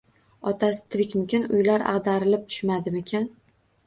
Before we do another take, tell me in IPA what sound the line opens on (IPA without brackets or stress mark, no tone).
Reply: ɒ